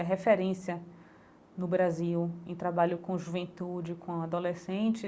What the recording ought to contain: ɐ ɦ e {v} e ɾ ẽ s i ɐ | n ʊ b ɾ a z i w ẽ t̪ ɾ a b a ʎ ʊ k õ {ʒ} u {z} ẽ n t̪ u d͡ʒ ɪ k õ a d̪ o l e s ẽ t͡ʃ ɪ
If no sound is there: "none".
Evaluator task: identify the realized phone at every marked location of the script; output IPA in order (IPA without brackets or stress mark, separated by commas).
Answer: f, ʒ, v